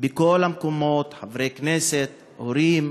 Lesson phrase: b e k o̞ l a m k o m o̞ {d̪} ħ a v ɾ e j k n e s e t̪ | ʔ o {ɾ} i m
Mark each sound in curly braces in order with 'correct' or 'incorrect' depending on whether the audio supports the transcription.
incorrect: t̪, correct

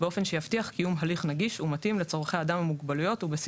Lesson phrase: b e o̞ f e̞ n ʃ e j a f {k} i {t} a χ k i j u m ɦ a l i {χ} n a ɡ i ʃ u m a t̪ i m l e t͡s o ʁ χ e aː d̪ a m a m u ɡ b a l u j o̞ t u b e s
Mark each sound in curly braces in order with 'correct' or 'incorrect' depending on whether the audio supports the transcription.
incorrect: t, incorrect: none, correct

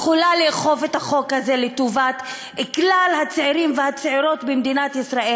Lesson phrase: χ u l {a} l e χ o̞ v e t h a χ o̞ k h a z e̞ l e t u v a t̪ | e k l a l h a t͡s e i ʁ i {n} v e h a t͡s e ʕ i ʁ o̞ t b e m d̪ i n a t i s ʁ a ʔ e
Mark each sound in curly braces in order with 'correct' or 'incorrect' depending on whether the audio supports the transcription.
correct, incorrect: m

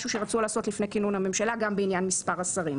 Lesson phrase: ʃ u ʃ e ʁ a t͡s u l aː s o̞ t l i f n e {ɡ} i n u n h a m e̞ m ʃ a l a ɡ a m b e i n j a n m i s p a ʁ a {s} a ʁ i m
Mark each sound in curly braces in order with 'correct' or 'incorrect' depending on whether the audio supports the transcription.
incorrect: k, correct

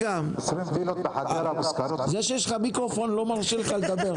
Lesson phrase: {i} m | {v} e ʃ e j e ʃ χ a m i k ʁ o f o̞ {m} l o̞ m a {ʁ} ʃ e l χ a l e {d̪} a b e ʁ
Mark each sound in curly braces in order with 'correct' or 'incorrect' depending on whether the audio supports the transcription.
incorrect: a, incorrect: z, incorrect: n, correct, correct

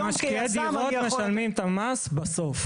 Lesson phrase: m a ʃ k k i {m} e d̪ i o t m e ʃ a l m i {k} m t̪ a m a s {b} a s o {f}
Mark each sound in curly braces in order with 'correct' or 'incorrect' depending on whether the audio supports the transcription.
incorrect: none, incorrect: none, correct, correct

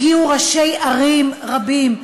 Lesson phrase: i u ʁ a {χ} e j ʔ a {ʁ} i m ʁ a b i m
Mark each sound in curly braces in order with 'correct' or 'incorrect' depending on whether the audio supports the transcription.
incorrect: ʃ, correct

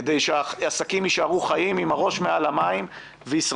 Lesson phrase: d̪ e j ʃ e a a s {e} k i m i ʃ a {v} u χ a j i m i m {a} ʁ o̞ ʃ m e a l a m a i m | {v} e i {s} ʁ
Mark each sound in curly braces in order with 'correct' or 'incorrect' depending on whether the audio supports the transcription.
incorrect: a, incorrect: ʁ, correct, correct, correct

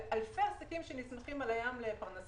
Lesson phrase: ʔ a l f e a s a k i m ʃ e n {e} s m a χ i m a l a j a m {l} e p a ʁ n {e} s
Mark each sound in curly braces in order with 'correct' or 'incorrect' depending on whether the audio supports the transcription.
incorrect: i, correct, incorrect: a

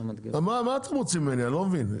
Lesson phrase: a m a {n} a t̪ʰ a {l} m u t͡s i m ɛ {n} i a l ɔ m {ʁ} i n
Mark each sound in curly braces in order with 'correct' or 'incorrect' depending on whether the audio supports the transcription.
incorrect: m, incorrect: none, correct, incorrect: v

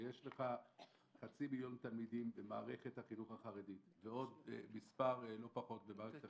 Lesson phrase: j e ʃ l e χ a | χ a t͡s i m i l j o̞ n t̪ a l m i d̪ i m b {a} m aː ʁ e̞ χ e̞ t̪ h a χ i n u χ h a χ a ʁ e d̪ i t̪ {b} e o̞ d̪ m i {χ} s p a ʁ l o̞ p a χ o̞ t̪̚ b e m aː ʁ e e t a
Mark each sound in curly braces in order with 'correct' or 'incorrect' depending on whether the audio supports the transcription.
incorrect: e, incorrect: v, incorrect: none

